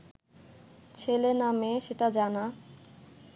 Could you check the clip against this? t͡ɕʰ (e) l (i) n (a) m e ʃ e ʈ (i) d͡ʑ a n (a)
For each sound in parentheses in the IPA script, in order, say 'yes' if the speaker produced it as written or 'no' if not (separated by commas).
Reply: yes, no, yes, no, yes